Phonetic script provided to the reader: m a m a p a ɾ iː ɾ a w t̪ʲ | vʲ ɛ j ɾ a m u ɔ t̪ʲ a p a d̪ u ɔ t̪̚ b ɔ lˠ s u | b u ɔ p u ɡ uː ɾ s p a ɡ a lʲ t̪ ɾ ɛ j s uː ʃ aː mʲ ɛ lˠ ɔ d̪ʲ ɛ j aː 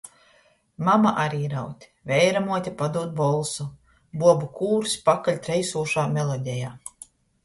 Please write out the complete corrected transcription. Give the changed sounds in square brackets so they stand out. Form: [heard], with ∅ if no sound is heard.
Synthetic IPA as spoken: m a m a [ʔ] a ɾ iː ɾ a w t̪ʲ | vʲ ɛ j ɾ a m u ɔ t̪ʲ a p a d̪ u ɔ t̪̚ b ɔ lˠ s u | b u ɔ [b] u [k] uː ɾ s p a [k] a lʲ t̪ ɾ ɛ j s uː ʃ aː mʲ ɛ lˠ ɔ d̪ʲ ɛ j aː